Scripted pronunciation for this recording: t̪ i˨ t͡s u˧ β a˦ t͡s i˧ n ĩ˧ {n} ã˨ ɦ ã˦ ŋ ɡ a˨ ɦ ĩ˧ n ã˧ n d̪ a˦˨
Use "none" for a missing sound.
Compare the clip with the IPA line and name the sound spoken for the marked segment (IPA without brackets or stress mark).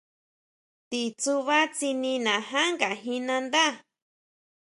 n